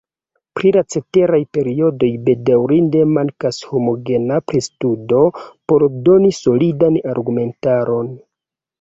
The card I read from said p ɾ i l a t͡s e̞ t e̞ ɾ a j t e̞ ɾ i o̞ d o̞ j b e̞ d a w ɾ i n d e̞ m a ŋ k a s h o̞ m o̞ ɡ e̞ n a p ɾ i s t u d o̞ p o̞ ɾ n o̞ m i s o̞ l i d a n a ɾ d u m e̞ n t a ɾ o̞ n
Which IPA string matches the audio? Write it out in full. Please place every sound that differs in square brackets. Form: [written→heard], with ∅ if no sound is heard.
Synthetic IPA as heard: p ɾ i l a t͡s e̞ t e̞ ɾ a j [t→p] e̞ ɾ i o̞ d o̞ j b e̞ d a w ɾ i n d e̞ m a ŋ k a s h o̞ m o̞ ɡ e̞ n a p ɾ i s t u d o̞ p o̞ ɾ [n→d] o̞ [m→n] i s o̞ l i d a n a ɾ [d→ɡ] u m e̞ n t a ɾ o̞ n